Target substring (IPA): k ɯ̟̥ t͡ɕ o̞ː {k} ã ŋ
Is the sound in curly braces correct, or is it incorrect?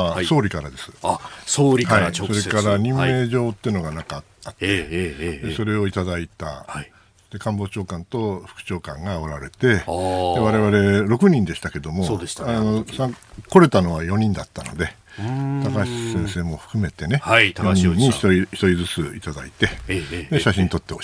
correct